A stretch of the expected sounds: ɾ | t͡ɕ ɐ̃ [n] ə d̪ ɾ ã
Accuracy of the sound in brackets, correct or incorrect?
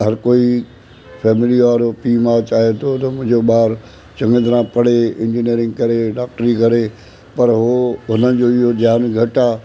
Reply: incorrect: ŋ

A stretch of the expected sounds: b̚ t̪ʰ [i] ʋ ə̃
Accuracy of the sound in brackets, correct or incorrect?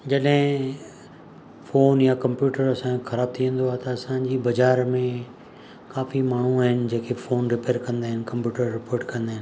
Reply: correct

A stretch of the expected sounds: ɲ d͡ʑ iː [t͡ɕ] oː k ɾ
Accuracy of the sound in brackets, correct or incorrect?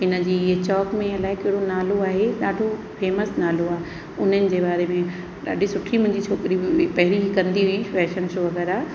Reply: incorrect: t͡ɕʰ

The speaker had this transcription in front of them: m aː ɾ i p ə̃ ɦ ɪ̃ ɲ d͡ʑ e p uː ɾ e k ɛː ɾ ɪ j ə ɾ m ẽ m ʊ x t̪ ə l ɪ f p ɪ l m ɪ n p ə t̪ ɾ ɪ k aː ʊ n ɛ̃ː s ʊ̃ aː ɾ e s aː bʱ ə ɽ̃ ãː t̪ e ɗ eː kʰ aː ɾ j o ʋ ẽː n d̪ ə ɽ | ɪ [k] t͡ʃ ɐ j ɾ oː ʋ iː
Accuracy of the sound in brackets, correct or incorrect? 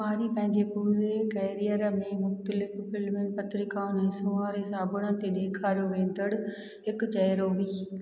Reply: correct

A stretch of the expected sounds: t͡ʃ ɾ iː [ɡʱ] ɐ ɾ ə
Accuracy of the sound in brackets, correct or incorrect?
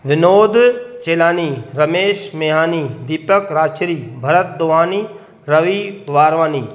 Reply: incorrect: bʱ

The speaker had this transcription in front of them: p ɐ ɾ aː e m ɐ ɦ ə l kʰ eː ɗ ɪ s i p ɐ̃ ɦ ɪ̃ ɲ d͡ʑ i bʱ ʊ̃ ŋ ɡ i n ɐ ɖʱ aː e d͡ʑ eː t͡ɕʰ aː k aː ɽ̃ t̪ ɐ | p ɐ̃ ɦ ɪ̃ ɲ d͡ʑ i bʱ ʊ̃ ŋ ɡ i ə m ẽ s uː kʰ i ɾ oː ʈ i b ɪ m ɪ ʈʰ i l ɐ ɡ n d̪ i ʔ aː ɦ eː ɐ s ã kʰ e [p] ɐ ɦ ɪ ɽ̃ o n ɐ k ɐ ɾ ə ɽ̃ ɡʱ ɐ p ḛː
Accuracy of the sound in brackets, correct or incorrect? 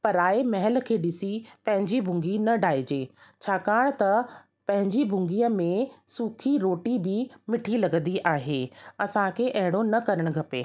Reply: incorrect: ʔ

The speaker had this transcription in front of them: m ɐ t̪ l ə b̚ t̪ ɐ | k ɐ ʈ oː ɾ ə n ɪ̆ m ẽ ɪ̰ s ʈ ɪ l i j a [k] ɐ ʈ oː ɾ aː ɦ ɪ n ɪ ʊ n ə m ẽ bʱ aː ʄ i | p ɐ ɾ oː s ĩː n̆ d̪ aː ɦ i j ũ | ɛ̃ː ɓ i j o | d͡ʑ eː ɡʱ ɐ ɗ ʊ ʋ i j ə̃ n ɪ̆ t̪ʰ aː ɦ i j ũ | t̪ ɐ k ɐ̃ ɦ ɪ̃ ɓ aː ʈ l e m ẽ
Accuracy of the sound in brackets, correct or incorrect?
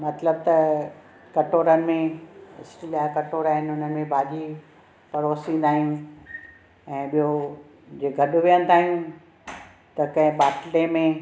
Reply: correct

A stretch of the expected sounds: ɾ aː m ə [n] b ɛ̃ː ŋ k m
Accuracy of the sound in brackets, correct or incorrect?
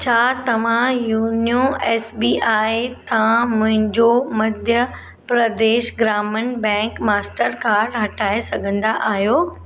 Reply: correct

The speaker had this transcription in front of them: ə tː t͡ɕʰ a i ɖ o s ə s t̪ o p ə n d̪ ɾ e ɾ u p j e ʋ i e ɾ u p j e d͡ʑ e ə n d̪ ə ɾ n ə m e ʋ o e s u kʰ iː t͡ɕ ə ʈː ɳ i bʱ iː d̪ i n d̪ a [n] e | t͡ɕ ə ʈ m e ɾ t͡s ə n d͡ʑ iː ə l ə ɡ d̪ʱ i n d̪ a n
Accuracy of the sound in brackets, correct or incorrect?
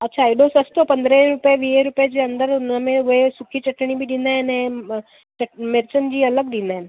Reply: correct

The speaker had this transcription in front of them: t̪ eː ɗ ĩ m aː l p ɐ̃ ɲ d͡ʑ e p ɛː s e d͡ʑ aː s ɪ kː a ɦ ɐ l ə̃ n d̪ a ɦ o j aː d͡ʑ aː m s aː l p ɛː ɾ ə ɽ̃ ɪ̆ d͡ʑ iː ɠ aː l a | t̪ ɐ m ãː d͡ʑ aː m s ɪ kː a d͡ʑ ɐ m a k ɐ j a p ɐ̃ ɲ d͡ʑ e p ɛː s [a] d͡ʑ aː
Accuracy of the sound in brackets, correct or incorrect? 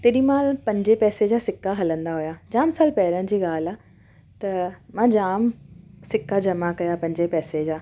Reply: incorrect: e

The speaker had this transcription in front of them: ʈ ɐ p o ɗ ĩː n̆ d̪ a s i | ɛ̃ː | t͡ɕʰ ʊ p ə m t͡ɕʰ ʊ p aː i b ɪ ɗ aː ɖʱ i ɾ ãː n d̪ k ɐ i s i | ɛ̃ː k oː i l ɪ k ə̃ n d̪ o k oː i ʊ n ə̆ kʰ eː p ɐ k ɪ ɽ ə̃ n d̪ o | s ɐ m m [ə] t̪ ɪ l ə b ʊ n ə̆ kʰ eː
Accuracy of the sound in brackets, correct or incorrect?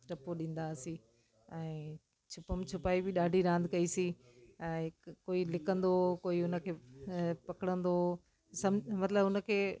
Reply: incorrect: ɐ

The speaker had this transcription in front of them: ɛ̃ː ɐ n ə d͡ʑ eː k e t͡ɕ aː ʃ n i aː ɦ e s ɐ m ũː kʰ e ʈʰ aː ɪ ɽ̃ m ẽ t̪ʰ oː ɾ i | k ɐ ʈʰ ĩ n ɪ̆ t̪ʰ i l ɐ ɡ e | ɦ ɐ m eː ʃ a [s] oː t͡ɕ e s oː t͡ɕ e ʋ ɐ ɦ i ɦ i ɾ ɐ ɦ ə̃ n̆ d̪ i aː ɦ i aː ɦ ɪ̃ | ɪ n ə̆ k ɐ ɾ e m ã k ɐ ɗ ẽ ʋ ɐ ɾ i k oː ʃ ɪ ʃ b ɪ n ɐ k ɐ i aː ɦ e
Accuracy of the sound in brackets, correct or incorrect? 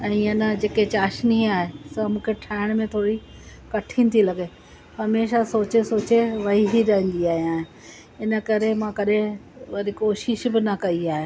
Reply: correct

